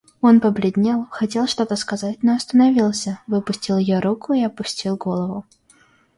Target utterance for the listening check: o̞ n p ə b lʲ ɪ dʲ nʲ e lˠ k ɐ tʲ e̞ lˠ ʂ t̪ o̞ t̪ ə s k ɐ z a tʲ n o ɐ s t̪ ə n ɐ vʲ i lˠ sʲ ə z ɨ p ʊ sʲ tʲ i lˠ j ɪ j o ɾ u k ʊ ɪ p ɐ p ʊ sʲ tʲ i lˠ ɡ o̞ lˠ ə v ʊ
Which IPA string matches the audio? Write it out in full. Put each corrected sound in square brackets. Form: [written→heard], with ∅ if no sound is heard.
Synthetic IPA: o̞ n p ə b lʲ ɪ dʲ nʲ e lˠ [k→x] ɐ tʲ e̞ lˠ ʂ t̪ o̞ t̪ ə s k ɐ z a tʲ n o ɐ s t̪ ə n ɐ vʲ i lˠ sʲ ə [z→v] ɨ p ʊ sʲ tʲ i lˠ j ɪ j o ɾ u k ʊ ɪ [p→∅] ɐ p ʊ sʲ tʲ i lˠ ɡ o̞ lˠ ə v ʊ

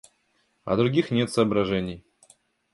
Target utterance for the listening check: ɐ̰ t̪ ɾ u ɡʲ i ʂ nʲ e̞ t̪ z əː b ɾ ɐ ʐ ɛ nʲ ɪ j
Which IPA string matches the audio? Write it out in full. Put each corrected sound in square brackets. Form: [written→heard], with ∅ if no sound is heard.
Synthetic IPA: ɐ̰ [t̪→d̪] ɾ [u→ʊ] ɡʲ i [ʂ→x] nʲ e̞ t̪ [z→s] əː b ɾ ɐ ʐ ɛ nʲ ɪ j

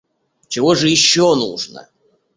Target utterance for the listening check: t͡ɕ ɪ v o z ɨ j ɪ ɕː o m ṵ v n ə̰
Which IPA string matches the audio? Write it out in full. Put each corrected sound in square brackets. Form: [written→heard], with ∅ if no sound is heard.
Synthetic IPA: t͡ɕ ɪ v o [z→ʐ] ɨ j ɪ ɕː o [m→n] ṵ [v→ʐ] n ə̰

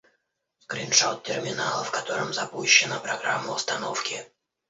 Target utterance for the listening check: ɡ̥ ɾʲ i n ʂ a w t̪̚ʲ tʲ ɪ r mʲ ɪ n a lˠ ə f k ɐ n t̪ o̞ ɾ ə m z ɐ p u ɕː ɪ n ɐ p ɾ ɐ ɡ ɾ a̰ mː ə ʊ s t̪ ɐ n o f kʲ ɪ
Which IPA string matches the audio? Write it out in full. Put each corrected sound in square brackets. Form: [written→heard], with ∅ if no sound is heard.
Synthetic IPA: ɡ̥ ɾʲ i n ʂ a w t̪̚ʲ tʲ ɪ r mʲ ɪ n a lˠ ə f k ɐ [n→∅] t̪ o̞ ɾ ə m z ɐ p u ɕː ɪ n [ɐ→ə] p ɾ ɐ ɡ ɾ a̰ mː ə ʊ s t̪ ɐ n o f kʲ ɪ

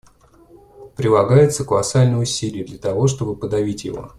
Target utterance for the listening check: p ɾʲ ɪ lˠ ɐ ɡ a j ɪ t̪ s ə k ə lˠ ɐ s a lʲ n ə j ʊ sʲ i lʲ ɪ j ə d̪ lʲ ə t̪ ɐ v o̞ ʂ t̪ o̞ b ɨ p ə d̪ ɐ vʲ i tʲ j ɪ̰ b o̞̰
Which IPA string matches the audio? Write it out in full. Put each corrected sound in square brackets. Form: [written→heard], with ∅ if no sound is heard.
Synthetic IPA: p ɾʲ ɪ lˠ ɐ ɡ a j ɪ t̪ s ə k ə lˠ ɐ s a lʲ n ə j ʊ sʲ i lʲ ɪ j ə d̪ lʲ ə t̪ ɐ v o̞ ʂ t̪ o̞ b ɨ p ə d̪ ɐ vʲ i tʲ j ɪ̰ [b→v] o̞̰

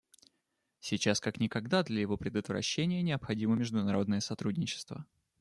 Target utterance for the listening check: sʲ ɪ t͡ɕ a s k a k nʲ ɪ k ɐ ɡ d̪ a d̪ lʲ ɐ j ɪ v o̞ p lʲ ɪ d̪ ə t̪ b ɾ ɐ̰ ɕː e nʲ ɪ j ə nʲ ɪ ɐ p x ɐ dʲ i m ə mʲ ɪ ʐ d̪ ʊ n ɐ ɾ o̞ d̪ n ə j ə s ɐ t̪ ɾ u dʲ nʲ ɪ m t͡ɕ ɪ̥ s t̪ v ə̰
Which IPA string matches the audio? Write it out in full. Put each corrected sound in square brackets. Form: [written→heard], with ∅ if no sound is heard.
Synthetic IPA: sʲ ɪ t͡ɕ a s k a k nʲ ɪ k ɐ ɡ d̪ a d̪ lʲ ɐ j ɪ v o̞ p [lʲ→ɾʲ] ɪ d̪ ə t̪ [b→v] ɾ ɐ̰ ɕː e nʲ ɪ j ə nʲ ɪ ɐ p x ɐ dʲ i m ə mʲ ɪ ʐ d̪ ʊ n ɐ ɾ o̞ d̪ n ə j ə s ɐ t̪ ɾ u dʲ nʲ ɪ [m→∅] t͡ɕ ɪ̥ s t̪ v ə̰

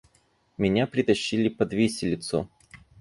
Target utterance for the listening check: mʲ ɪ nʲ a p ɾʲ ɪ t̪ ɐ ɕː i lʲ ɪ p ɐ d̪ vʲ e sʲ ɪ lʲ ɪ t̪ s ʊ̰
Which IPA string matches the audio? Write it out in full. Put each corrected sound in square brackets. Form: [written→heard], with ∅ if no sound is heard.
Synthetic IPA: mʲ ɪ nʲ a p ɾʲ ɪ t̪ ɐ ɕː i lʲ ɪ p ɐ d̪ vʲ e sʲ ɪ lʲ ɪ t̪ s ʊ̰

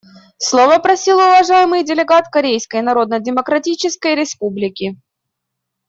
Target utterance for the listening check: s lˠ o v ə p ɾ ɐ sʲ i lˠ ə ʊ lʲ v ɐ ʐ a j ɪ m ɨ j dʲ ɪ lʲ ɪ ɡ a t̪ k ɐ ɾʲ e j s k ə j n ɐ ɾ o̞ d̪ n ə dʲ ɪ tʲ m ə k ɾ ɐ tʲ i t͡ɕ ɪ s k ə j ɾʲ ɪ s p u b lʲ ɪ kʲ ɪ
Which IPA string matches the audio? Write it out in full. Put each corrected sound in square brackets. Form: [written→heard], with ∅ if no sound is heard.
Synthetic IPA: s lˠ o v ə p ɾ ɐ sʲ i lˠ ə ʊ [lʲ→∅] v ɐ ʐ a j ɪ m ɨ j dʲ ɪ lʲ ɪ ɡ a t̪ k ɐ ɾʲ e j s k ə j n ɐ ɾ o̞ d̪ n ə dʲ ɪ [tʲ→∅] m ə k ɾ ɐ tʲ i t͡ɕ ɪ s k ə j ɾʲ ɪ s p u b lʲ ɪ kʲ ɪ

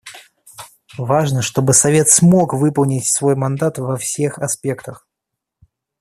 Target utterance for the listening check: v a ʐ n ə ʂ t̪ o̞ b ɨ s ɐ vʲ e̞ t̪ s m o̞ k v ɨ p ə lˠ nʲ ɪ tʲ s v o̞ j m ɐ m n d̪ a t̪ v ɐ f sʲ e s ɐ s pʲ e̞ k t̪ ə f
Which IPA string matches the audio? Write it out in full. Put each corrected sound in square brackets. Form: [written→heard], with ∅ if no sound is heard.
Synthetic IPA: v a ʐ n ə ʂ t̪ o̞ b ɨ s ɐ vʲ e̞ t̪ s m o̞ k v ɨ p ə lˠ nʲ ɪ tʲ s v o̞ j m ɐ [m→∅] n d̪ a t̪ v ɐ f sʲ e [s→x] ɐ s pʲ e̞ k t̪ ə [f→x]

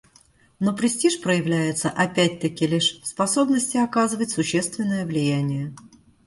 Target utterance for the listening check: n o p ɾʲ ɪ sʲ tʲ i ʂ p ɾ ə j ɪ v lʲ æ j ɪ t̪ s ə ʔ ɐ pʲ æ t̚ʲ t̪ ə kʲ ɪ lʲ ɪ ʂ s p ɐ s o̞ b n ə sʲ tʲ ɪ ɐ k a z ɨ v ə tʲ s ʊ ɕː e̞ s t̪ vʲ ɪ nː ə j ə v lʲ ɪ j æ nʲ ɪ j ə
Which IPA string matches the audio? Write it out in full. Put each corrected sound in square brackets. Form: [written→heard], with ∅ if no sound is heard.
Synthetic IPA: n o p ɾʲ ɪ sʲ tʲ i ʂ p ɾ ə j ɪ v lʲ æ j ɪ t̪ s ə ʔ ɐ pʲ æ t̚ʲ t̪ ə kʲ ɪ lʲ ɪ ʂ s p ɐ s o̞ b n ə sʲ tʲ ɪ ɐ k a z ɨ v ə tʲ s ʊ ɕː e̞ s t̪ vʲ ɪ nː ə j ə v lʲ ɪ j æ nʲ ɪ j ə

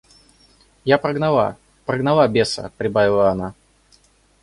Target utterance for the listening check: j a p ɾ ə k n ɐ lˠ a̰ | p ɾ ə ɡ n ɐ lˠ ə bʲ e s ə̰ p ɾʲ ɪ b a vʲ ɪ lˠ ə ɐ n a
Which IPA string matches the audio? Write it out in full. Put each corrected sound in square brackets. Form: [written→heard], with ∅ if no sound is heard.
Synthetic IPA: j a p ɾ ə [k→ɡ] n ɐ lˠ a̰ | p ɾ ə ɡ n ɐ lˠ [ə→a] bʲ e s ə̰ p ɾʲ ɪ b a vʲ ɪ lˠ ə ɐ n a

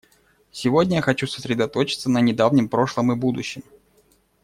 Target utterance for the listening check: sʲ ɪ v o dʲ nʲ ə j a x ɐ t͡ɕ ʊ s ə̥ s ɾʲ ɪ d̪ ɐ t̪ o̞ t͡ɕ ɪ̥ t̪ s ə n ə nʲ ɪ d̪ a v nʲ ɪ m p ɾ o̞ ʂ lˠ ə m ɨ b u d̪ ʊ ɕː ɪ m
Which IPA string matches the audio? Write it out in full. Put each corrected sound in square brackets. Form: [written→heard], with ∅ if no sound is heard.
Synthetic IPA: sʲ ɪ v o dʲ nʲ ə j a x ɐ t͡ɕ [ʊ→u] s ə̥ s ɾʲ ɪ d̪ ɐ t̪ o̞ t͡ɕ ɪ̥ t̪ s ə n ə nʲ ɪ d̪ a v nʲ ɪ m p ɾ o̞ ʂ lˠ ə m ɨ b u d̪ ʊ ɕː ɪ m

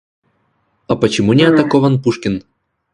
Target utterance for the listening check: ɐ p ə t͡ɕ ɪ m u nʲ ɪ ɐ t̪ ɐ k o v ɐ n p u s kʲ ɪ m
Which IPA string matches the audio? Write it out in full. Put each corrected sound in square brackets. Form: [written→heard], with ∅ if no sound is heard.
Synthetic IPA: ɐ p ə t͡ɕ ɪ m u nʲ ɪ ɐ t̪ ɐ k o v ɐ n p u [s→ʂ] kʲ ɪ [m→n]

